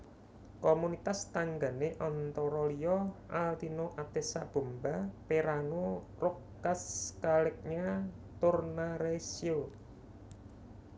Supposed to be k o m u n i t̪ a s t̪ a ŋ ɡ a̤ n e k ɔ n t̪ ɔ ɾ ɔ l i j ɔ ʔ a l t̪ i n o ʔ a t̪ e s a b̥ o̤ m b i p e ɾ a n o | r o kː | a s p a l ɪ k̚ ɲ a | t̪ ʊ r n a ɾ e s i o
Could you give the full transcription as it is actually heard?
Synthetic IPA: k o m u n i t̪ a s t̪ a ŋ ɡ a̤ n e ʔ ɔ n t̪ ɔ ɾ ɔ l i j ɔ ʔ a l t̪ i n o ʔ a t̪ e s a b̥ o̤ m b a p e ɾ a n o | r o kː | a s k a l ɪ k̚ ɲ a | t̪ ʊ r n a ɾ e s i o

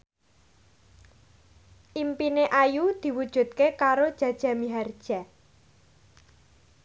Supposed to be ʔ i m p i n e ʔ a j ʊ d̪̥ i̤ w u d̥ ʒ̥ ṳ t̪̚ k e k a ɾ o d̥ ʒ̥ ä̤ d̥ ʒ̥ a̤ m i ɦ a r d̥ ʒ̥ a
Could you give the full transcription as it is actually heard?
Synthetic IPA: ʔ i m p i n e ʔ a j u d̪̥ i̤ w u d̥ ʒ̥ ṳ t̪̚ k e k a ɾ o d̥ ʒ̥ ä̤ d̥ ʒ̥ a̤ m i ɦ a r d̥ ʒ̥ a

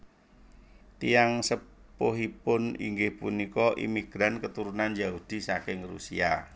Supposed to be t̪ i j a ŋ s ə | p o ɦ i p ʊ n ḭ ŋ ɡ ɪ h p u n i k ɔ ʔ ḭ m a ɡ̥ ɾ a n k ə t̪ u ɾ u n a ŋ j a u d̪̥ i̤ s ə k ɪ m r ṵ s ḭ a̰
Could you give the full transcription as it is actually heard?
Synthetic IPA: t̪ i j a ŋ s ə | p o ɦ i p ʊ n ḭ ŋ ɡ ɪ h p u n i k ɔ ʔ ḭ m i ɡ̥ ɾ a n k ə t̪ u ɾ u n a n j a u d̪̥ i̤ s a k ɪ ŋ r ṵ s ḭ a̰

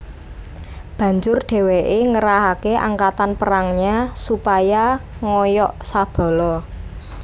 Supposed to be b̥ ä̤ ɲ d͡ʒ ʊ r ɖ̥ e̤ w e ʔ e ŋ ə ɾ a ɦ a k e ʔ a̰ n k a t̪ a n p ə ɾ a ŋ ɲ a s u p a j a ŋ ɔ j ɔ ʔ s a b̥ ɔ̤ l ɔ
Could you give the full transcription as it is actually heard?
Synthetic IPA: b̥ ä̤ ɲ d͡ʒ ʊ r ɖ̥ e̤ w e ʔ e ŋ ə ɾ a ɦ a k e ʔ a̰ ŋ k a t̪ a n p ə ɾ a ŋ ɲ a s u p a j a ŋ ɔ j ɔ ʔ s a b̥ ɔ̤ l ɔ

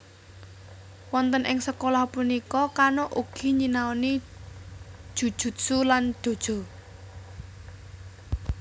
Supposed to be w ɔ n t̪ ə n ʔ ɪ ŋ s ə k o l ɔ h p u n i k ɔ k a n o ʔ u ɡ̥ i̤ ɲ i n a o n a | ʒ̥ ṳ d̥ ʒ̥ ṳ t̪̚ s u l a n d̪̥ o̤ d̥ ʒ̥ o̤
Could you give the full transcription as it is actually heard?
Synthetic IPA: w ɔ n t̪ ə n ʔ ɪ ŋ s ə k o l ɔ h p u n i k ɔ k a n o ʔ u ɡ̥ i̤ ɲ i n a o n i | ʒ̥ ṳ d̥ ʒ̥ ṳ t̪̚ s u l a n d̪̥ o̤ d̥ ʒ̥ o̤

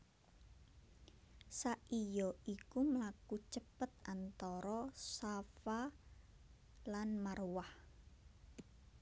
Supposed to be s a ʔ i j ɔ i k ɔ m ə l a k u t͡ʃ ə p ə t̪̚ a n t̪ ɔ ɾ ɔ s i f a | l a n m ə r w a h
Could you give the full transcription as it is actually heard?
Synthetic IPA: s a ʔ i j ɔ i k u m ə l a k u t͡ʃ ə p ə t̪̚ a n t̪ ɔ ɾ ɔ s a f a | l a n m a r w a h

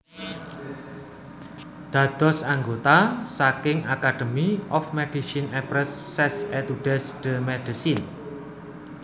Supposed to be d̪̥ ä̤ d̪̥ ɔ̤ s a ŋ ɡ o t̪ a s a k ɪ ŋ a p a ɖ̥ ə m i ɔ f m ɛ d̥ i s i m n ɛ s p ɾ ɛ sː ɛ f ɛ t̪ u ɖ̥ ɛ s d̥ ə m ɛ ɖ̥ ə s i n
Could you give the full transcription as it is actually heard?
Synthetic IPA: d̪̥ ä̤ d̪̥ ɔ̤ s a ŋ ɡ o t̪ a s a k ɪ ŋ a k a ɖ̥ ə m i ɔ f m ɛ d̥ i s i n ɛ p ɾ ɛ sː ɛ s ɛ t̪ u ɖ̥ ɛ s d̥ ə m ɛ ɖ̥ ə s i n

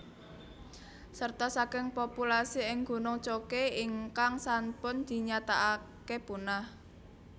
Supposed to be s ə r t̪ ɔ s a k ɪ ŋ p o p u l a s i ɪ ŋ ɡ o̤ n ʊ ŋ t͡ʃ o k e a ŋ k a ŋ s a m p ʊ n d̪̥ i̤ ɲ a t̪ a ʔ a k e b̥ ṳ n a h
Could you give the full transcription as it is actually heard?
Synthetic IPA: s ə r t̪ ɔ s a k ɪ ŋ p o p u l a s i ɪ ŋ ɡ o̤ n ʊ ŋ t͡ʃ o k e i ŋ k a ŋ s a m p ʊ n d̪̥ i̤ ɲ a t̪ a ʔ a k e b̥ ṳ n a h

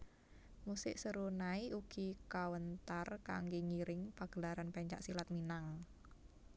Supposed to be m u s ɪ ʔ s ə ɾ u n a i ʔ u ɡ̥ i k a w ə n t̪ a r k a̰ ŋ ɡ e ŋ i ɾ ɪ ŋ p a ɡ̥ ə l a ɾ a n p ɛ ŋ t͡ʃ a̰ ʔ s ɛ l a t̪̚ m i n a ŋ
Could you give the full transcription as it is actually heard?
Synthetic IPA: m u s ɪ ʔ s ə ɾ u n a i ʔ u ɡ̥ i k a w ə n t̪ a r k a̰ ŋ ɡ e ŋ i ɾ ɪ ŋ p a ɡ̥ ə l a ɾ a n p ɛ ɲ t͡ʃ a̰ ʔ s i l a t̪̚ m i n a ŋ

